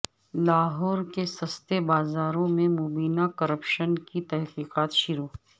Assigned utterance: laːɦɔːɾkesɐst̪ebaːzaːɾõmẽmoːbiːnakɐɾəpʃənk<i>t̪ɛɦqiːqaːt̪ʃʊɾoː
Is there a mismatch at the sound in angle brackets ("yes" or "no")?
no